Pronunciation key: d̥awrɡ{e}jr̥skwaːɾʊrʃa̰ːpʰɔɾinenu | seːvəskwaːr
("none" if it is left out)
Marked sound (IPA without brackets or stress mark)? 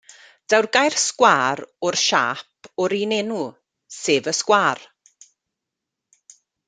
a